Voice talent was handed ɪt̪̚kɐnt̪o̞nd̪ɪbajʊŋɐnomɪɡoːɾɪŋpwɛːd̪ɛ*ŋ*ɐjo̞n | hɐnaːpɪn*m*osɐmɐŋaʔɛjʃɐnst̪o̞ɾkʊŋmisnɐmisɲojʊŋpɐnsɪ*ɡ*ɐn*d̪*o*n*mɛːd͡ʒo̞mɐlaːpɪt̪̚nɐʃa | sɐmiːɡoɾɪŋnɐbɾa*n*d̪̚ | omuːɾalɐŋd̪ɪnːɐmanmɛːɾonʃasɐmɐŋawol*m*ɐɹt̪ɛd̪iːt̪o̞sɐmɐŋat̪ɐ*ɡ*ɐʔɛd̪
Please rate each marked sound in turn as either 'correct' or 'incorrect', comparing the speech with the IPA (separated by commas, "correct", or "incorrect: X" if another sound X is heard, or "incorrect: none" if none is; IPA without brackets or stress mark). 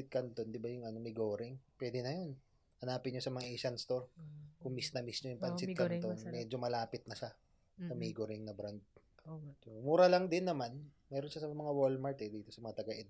incorrect: n, incorrect: ɲ, incorrect: k, incorrect: t̪, correct, correct, correct, correct